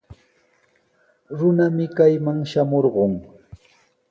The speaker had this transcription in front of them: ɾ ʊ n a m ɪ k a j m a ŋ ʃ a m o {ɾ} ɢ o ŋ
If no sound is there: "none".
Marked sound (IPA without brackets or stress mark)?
ɾ